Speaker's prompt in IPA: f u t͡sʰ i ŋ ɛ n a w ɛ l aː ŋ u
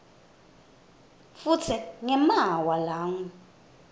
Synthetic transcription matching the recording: f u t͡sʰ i ŋ ɛ m a w a l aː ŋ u